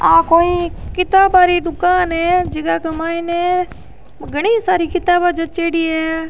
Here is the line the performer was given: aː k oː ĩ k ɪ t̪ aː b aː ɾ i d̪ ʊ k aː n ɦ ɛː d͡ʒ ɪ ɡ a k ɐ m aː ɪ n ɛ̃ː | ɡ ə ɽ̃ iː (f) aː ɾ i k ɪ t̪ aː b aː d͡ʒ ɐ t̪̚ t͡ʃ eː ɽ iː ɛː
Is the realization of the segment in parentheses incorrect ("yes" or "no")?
yes